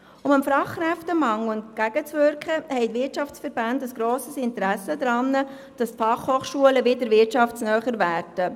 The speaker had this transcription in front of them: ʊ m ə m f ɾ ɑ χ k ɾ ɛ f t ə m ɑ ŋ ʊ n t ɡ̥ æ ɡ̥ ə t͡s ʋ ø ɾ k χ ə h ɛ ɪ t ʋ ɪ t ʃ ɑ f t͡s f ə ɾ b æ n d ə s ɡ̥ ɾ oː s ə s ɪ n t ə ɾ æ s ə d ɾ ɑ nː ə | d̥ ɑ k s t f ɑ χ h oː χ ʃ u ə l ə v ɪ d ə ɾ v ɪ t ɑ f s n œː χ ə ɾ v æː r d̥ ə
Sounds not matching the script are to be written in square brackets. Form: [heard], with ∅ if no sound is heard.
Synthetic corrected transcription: ʊ m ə m f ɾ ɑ χ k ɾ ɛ f t ə m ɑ ŋ ʊ n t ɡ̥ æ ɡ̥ ə t͡s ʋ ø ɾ k χ ə h ɛ ɪ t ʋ ɪ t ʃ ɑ f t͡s f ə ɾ b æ n d ə s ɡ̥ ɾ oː s ə s ɪ n t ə ɾ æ s ə d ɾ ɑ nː ə | d̥ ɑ [∅] s t f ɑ χ h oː χ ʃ u ə l ə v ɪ d ə ɾ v ɪ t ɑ f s n œː χ ə ɾ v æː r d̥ ə

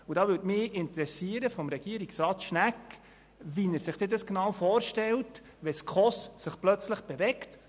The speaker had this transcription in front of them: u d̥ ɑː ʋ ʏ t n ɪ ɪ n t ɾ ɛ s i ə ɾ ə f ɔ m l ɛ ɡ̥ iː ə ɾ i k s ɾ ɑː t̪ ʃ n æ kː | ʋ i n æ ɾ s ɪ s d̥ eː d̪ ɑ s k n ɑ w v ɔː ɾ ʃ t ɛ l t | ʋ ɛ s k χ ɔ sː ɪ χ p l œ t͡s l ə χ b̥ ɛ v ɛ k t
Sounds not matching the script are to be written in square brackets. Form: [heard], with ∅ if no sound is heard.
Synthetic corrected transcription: u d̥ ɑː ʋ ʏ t [m] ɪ ɪ n t ɾ ɛ s i ə ɾ ə f ɔ m [ɾ] ɛ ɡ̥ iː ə ɾ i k s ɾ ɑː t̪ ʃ n æ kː | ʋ i n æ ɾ s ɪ [χ] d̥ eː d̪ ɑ s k n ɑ w [f] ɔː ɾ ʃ t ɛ l t | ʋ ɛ s k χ ɔ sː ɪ χ p l œ t͡s l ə χ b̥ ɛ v ɛ k t

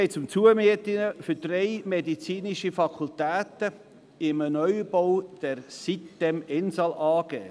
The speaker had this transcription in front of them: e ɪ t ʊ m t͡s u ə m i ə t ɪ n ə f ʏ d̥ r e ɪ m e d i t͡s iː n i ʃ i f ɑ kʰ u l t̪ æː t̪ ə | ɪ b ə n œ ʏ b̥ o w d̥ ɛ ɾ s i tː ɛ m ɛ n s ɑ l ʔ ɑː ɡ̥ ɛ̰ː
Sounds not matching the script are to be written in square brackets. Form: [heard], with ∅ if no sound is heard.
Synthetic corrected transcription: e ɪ [t͡s] ʊ m t͡s u ə m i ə t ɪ n ə f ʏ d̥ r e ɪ m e d i t͡s iː n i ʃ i f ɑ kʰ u l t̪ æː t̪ ə | ɪ [m] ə n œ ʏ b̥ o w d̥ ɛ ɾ s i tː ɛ m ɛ n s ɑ l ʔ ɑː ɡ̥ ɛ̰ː

